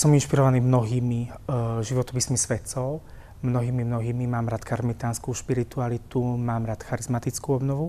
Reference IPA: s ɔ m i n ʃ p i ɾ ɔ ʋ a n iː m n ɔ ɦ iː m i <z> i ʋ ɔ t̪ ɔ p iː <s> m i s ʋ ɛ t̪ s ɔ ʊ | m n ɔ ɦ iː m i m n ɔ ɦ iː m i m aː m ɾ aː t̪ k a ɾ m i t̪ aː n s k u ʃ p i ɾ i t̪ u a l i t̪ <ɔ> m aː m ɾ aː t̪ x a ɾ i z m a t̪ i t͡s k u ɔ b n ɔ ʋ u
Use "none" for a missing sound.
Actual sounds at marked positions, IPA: ʒ, s, u

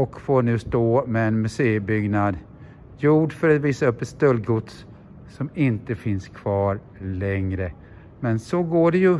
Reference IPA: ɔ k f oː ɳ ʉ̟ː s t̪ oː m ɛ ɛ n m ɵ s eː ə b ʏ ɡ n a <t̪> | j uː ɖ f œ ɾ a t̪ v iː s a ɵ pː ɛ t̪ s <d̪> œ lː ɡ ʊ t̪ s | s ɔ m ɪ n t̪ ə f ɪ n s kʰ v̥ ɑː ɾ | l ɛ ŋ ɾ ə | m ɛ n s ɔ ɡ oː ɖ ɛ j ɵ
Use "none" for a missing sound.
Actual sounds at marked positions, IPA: d̪, t̪

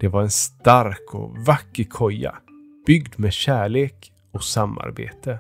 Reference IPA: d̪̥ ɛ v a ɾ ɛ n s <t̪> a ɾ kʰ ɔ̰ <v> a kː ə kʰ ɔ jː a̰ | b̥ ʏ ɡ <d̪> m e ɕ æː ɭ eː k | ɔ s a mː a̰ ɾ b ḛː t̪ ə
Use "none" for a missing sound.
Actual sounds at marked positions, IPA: t̪, v, d̪

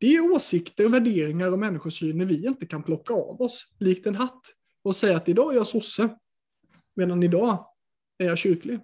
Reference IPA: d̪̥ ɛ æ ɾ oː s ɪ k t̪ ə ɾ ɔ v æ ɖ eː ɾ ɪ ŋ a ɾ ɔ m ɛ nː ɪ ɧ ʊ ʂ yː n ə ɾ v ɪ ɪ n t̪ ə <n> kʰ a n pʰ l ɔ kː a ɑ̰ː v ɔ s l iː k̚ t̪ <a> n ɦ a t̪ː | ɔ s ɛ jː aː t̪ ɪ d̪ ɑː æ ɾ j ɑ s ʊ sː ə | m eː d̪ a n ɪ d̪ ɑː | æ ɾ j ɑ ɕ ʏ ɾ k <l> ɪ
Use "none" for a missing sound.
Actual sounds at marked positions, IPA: none, ɛ, l

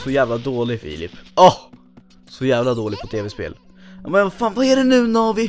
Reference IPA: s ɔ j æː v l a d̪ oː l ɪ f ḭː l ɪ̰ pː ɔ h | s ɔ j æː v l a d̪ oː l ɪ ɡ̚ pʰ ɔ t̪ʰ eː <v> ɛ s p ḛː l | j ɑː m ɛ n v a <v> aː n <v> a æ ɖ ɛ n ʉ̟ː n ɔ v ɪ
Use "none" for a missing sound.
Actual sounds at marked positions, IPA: v, f, v

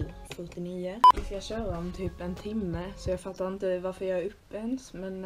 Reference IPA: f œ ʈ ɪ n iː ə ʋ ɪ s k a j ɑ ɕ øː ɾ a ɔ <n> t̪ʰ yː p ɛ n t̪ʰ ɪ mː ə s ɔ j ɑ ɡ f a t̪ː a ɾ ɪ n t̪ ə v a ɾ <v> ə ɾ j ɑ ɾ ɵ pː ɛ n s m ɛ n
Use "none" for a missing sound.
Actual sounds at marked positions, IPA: m, f

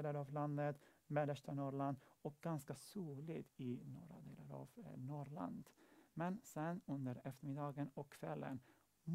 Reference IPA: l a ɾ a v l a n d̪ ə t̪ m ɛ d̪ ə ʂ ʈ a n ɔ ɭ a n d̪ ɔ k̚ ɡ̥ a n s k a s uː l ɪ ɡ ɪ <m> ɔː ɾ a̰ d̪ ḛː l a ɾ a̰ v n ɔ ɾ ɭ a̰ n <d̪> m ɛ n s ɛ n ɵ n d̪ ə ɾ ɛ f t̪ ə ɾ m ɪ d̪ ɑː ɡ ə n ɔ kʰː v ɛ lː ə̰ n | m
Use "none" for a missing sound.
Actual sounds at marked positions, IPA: n, d̪

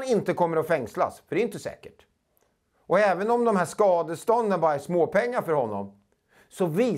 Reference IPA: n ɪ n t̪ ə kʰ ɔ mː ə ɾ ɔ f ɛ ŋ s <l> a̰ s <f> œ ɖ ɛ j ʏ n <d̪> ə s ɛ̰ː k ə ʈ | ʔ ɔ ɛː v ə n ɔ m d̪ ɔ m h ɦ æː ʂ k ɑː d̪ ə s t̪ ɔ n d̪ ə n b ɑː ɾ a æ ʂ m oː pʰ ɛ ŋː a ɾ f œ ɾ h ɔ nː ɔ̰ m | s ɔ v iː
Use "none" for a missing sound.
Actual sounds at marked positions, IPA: l, f, t̪

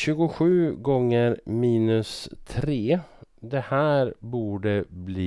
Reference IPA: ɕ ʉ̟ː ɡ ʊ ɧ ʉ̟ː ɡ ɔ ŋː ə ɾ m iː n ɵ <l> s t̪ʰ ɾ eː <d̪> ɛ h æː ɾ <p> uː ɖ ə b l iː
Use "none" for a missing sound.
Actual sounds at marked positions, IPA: none, d̪, b

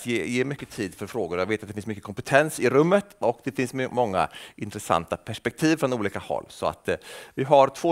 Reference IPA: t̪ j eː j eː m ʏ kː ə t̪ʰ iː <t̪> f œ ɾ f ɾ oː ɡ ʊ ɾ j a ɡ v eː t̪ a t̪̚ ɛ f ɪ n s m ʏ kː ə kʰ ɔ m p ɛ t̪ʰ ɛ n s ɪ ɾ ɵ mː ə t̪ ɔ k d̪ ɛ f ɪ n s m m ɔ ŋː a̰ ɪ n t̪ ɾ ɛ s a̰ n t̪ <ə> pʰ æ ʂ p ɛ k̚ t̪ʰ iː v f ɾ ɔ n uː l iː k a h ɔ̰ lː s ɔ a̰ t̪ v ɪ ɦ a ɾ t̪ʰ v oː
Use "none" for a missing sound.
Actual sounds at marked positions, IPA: d̪, a

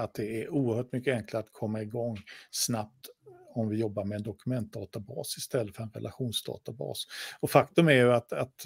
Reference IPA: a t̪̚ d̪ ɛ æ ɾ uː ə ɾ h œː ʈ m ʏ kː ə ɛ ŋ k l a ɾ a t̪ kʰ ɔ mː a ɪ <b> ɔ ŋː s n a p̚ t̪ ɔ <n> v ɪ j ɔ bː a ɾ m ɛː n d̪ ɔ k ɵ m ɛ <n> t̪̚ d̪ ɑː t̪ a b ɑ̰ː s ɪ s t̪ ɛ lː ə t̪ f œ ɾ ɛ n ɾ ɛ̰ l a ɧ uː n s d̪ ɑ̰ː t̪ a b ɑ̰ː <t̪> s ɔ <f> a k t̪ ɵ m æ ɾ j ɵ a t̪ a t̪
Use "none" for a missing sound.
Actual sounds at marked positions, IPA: ɡ, m, n, none, f

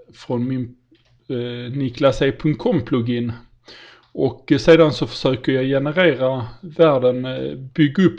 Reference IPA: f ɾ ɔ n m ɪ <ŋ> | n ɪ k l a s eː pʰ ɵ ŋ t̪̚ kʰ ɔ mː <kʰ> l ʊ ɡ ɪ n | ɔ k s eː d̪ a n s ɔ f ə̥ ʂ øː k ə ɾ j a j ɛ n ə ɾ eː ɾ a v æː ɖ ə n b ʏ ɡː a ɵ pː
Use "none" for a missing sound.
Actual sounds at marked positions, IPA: n, pʰ

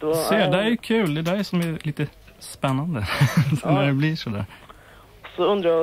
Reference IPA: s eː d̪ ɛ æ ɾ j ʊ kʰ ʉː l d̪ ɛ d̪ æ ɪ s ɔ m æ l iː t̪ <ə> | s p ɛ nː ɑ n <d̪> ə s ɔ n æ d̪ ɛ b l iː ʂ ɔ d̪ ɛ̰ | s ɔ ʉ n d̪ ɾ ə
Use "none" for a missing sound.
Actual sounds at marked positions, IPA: ə, d̪

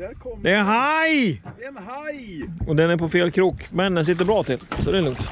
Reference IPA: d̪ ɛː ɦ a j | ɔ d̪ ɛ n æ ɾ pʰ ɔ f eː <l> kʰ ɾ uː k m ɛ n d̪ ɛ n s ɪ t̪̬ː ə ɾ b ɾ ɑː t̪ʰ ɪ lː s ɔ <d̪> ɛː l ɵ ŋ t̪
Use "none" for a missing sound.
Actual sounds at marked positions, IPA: l, d̪

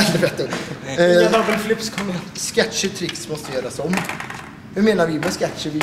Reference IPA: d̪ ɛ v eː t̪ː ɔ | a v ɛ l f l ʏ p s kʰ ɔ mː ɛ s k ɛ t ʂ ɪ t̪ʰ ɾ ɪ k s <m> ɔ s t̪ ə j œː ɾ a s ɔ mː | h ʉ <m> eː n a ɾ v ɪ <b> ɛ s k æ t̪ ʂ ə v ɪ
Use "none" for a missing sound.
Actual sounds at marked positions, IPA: m, m, m

